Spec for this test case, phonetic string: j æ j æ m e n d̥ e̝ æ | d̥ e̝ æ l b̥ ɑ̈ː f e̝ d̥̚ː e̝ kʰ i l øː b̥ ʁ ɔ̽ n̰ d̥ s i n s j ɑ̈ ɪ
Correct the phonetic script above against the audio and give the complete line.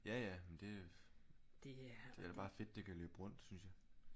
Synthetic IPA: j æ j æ m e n d̥ e̝ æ | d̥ e̝ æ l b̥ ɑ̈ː f e̝ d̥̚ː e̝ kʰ æ l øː b̥ ʁ ɔ̽ n̰ d̥ s y n s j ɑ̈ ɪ